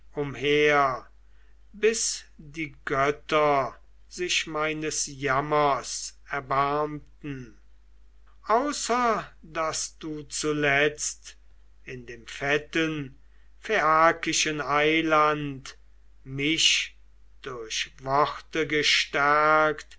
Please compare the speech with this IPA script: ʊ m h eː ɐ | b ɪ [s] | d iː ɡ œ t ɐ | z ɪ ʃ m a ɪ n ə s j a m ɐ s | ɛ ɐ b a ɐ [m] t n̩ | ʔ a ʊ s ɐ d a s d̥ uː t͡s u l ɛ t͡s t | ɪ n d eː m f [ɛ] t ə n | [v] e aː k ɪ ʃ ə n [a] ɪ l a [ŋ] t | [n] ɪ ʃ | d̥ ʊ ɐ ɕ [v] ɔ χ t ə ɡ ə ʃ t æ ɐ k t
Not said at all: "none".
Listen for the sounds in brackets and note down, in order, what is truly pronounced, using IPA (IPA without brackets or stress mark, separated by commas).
s, m, ɛ, f, a, n, m, v